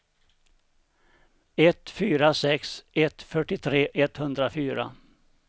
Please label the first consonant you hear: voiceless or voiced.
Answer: voiceless